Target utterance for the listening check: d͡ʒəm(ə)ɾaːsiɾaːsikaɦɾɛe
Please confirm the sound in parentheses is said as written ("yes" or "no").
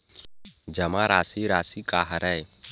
no